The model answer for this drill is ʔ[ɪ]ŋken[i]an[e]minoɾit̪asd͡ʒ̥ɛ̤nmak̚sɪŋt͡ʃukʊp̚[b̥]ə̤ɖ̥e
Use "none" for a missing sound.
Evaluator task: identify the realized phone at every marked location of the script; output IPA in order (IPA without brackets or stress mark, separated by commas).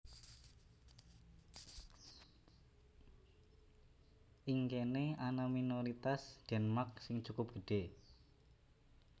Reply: i, e, a, ɡ̥